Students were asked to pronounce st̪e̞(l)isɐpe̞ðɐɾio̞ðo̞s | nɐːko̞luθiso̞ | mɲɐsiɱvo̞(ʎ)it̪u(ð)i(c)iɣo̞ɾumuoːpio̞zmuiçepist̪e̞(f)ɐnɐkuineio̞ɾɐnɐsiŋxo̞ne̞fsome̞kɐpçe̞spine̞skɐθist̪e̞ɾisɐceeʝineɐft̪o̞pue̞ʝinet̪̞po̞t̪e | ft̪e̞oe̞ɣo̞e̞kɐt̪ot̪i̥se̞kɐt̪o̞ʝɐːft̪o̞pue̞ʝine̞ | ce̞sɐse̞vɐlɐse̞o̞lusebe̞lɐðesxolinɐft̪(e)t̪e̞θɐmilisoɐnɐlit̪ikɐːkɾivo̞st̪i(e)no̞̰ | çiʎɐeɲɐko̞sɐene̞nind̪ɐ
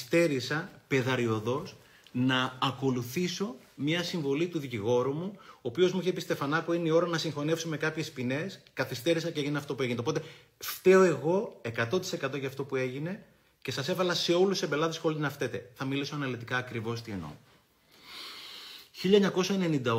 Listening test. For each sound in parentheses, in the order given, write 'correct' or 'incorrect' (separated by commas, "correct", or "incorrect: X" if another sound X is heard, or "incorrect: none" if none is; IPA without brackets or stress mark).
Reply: incorrect: ɾ, incorrect: l, correct, correct, correct, correct, correct